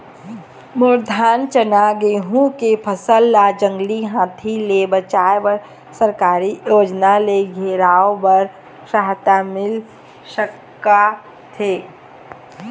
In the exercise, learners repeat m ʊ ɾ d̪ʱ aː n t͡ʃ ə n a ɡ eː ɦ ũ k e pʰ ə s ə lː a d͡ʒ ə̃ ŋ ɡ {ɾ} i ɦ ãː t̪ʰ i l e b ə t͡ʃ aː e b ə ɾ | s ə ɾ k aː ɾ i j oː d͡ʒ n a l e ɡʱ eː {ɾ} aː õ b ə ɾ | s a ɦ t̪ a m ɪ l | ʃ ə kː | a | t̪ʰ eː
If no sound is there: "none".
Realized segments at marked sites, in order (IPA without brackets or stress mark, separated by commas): l, ɾ